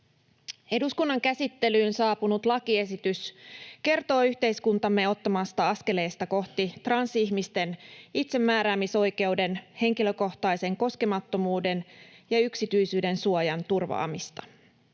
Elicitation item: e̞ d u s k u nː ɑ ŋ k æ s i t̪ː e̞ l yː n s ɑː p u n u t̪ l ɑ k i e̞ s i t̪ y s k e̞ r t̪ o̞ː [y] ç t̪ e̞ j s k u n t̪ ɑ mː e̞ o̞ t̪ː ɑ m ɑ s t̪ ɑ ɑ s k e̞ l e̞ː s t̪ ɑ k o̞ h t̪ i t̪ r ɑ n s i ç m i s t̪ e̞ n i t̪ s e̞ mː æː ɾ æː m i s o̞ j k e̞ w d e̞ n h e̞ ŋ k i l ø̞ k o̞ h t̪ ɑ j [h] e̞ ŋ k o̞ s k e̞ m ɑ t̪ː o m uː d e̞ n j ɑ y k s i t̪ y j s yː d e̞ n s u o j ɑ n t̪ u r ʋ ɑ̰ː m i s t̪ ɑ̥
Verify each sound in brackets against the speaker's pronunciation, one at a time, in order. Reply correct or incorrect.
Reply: correct, incorrect: s

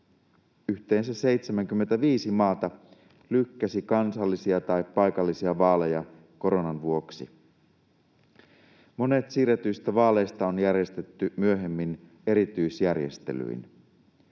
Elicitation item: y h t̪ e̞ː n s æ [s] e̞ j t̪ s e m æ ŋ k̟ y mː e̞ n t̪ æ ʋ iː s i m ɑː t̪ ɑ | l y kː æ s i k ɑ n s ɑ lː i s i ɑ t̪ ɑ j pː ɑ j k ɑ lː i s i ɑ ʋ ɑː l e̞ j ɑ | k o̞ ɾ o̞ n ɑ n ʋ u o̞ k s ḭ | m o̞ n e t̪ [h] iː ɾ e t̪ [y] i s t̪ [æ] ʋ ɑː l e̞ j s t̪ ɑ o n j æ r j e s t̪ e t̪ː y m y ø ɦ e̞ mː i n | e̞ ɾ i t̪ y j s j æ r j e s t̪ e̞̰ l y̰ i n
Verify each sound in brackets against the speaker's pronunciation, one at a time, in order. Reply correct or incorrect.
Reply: correct, incorrect: s, correct, correct

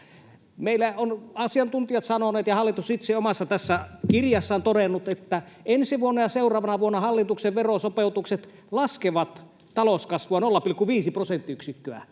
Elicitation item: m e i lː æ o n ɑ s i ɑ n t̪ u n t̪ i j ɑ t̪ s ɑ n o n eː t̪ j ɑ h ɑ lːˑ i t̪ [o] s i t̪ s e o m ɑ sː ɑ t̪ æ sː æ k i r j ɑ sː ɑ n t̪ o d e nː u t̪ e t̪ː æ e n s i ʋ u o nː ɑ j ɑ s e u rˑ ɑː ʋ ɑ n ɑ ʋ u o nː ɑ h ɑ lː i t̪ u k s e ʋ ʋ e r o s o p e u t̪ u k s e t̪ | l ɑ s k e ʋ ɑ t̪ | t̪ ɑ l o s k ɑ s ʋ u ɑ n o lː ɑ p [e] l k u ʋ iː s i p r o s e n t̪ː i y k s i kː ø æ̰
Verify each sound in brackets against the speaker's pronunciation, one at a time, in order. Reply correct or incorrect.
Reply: incorrect: u, incorrect: i

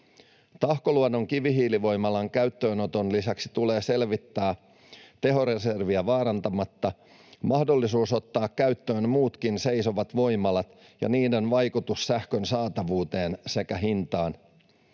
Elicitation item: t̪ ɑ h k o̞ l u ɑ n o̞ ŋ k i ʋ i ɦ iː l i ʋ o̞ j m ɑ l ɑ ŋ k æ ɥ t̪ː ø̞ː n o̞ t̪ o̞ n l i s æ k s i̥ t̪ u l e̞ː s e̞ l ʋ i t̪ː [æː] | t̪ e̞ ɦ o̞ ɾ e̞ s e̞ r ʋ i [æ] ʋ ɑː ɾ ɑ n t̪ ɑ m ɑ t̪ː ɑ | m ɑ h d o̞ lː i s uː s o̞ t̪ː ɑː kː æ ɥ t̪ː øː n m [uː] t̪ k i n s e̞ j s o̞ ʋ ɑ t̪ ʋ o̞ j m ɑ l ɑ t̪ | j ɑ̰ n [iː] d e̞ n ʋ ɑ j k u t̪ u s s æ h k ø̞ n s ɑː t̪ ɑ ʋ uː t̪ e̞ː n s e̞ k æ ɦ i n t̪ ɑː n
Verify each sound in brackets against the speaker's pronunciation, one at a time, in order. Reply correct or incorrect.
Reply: correct, correct, correct, correct

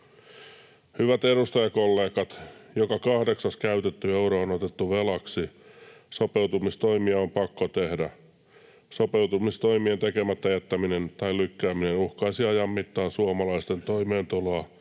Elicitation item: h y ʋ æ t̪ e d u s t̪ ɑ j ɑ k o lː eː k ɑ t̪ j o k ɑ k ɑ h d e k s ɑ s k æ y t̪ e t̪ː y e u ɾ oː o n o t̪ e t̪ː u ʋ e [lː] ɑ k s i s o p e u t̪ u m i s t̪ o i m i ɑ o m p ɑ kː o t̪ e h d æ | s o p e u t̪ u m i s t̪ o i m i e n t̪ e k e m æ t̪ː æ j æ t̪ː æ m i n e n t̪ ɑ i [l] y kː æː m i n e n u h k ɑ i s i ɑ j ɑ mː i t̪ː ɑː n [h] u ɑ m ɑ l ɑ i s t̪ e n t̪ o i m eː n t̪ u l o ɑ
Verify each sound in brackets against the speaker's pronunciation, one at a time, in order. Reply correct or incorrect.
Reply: incorrect: l, correct, incorrect: s

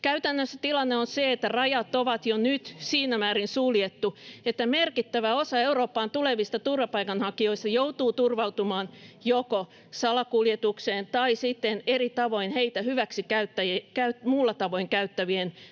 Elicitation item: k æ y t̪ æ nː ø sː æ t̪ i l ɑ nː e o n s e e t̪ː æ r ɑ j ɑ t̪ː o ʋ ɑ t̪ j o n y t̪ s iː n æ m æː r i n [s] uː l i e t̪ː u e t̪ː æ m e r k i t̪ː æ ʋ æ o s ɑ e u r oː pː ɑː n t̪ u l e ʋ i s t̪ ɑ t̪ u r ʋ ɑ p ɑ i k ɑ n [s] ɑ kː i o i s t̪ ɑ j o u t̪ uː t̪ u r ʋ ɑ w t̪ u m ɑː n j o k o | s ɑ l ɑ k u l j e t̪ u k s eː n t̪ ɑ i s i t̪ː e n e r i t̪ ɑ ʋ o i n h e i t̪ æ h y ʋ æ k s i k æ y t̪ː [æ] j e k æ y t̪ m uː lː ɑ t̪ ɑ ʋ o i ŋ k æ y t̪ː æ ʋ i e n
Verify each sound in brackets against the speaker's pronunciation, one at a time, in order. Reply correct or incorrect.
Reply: correct, incorrect: h, correct

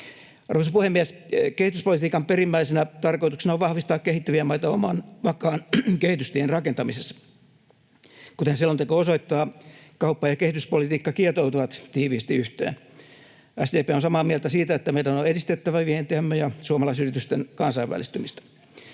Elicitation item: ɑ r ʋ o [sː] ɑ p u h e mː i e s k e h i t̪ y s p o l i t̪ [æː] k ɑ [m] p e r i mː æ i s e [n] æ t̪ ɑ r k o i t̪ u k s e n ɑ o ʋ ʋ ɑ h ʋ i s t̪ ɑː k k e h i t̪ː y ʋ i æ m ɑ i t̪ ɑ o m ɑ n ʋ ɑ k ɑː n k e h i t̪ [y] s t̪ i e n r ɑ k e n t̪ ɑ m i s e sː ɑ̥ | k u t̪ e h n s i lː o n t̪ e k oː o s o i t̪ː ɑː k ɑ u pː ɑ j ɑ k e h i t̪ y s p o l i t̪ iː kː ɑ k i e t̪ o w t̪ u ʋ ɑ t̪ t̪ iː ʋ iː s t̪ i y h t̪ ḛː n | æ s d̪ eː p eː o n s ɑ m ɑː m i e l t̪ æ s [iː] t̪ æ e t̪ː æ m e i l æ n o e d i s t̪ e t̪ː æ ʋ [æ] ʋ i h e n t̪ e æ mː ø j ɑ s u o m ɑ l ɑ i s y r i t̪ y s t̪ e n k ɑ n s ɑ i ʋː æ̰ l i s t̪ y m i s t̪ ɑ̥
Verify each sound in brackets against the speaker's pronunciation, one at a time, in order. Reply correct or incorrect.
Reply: incorrect: s, incorrect: iː, correct, correct, correct, correct, correct

